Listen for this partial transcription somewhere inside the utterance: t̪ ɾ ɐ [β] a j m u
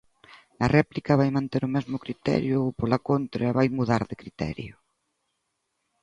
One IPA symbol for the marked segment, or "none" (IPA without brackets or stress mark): β